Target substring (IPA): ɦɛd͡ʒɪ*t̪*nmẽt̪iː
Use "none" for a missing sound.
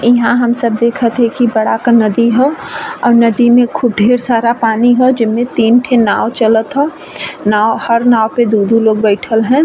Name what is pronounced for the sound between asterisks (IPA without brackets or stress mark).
none